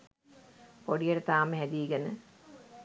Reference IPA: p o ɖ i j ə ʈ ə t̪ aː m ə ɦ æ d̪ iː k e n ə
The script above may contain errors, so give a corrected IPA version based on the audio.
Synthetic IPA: p o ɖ i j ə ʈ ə t̪ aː m ə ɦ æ d̪ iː ɡ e n ə